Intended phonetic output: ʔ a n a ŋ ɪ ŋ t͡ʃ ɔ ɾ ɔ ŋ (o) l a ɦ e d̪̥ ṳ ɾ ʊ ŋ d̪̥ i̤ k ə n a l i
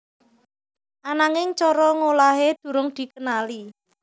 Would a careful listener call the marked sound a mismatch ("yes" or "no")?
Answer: no